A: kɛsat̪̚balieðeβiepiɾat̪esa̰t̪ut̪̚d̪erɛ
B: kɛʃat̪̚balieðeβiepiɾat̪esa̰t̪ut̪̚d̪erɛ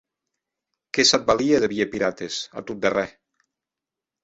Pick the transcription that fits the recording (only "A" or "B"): A